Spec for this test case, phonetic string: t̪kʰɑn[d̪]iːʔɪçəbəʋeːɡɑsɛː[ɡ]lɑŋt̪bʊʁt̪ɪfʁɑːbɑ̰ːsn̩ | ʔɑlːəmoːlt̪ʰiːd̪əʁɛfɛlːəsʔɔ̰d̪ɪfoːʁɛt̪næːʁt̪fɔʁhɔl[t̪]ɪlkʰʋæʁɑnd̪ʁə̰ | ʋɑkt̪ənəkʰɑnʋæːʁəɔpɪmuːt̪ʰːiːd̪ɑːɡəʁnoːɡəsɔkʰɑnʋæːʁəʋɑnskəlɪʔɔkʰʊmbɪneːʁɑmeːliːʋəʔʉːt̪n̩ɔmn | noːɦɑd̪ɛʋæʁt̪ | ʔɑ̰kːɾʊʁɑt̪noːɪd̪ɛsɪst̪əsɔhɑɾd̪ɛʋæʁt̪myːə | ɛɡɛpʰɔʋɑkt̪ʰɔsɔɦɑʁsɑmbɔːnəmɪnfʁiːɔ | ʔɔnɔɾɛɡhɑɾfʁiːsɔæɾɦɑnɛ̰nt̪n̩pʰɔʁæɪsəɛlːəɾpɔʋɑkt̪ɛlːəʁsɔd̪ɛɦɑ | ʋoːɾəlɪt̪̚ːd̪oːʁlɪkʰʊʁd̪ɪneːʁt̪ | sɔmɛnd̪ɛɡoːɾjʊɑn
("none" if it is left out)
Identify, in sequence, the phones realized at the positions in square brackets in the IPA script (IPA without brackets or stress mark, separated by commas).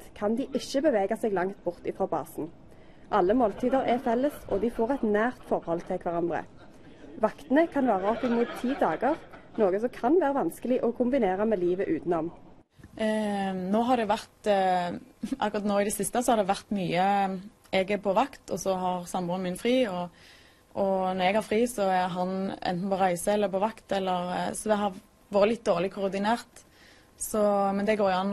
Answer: d̪, ɡ, t̪ʰ